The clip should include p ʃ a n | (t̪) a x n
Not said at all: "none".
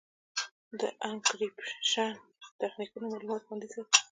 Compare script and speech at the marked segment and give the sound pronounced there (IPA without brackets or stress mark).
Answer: t̪